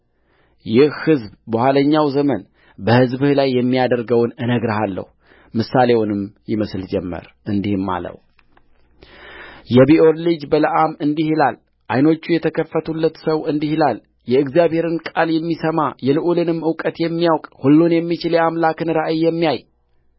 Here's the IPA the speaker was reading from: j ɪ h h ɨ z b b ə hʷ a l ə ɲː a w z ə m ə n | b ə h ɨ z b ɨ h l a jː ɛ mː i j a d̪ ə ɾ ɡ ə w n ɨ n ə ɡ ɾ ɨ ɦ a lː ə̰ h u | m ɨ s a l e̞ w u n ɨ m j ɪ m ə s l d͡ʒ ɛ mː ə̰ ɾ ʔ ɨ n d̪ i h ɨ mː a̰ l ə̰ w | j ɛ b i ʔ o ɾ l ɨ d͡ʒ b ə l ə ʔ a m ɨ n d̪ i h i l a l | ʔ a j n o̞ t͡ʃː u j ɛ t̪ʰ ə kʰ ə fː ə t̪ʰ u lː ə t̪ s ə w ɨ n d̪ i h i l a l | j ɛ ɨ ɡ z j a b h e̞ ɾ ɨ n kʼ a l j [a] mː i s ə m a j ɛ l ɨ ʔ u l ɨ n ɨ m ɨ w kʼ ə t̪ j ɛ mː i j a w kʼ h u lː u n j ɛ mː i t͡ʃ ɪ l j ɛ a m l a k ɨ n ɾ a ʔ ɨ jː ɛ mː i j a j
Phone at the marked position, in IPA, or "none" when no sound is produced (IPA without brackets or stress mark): ɛ